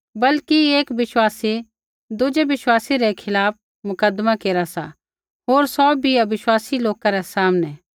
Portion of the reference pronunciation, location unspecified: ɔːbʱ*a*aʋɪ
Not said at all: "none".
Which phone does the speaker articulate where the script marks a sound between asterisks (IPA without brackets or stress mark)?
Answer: i